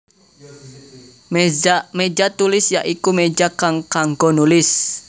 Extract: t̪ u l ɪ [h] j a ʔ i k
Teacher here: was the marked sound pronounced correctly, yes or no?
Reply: no